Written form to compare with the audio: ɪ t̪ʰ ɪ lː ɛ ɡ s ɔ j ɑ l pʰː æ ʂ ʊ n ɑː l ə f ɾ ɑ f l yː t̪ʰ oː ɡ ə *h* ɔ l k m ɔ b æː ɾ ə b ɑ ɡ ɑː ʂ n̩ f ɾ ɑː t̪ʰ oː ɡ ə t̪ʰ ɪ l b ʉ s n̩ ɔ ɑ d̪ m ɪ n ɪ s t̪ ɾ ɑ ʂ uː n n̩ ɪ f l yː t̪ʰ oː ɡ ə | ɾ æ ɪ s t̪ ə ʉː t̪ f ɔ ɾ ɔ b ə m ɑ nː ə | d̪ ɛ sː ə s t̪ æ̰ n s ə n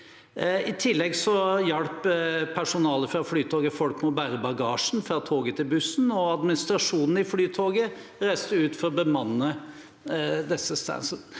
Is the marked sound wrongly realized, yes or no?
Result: yes